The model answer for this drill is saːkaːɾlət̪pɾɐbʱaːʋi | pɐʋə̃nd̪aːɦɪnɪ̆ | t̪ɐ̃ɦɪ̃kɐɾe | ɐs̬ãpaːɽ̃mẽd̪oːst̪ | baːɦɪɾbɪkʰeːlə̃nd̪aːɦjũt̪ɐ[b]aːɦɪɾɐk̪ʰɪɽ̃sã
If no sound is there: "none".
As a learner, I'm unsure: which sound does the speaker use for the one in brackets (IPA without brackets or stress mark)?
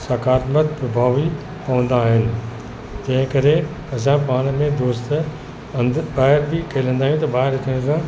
b